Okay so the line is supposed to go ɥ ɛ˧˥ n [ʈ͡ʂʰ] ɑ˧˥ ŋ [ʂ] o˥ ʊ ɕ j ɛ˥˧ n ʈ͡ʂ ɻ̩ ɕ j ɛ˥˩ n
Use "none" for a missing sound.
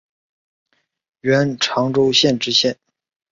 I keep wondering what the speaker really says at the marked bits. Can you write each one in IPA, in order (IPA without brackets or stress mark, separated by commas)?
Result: ʈ͡ʂʰ, ʈ͡ʂ